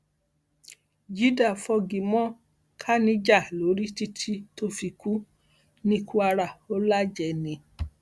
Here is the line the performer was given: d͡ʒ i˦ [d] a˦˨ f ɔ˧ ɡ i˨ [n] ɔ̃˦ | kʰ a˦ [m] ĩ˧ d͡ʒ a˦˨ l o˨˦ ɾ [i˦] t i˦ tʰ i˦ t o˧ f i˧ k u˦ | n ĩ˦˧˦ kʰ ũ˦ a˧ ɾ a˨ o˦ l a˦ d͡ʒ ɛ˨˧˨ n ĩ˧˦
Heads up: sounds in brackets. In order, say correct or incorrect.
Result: correct, incorrect: m, incorrect: n, correct

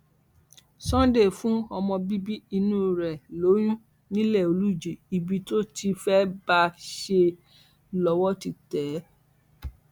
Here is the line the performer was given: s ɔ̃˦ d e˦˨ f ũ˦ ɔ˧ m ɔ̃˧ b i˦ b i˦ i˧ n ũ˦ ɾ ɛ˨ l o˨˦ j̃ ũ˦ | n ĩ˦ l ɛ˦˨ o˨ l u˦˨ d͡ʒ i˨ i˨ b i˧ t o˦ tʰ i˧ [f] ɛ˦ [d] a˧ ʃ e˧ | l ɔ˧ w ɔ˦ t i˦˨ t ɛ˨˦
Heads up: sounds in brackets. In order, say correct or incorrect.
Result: correct, incorrect: b

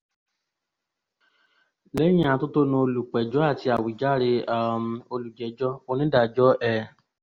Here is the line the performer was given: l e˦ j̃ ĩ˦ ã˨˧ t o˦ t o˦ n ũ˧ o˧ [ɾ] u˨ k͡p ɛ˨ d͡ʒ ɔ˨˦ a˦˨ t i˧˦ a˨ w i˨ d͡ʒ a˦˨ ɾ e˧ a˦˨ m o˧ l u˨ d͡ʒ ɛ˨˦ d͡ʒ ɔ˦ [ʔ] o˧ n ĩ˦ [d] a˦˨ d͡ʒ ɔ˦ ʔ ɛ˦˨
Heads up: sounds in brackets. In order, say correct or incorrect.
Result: incorrect: l, incorrect: none, correct

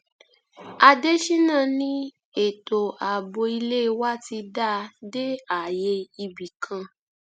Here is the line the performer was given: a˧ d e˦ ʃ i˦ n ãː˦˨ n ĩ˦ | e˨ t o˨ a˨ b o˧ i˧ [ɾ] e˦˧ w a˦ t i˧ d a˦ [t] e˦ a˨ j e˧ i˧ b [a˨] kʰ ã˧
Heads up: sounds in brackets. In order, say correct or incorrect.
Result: incorrect: l, incorrect: d, incorrect: i˨

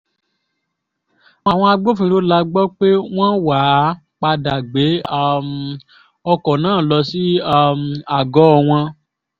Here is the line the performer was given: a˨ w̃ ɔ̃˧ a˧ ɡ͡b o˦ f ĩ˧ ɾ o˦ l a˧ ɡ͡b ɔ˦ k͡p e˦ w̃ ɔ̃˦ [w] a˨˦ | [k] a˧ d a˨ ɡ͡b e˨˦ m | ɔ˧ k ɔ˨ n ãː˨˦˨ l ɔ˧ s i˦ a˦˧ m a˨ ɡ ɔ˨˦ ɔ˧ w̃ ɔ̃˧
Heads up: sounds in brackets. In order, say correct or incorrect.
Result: correct, incorrect: k͡p

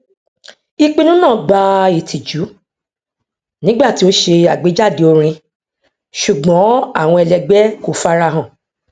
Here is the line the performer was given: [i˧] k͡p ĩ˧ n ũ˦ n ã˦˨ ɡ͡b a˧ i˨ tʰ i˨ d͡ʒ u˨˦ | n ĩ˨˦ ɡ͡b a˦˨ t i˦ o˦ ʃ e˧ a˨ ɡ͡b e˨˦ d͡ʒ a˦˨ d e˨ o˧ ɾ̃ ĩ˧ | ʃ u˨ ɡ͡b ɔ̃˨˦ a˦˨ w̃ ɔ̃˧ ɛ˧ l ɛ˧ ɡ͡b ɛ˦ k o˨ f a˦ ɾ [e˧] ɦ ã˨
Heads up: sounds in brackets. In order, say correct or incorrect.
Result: correct, incorrect: a˧

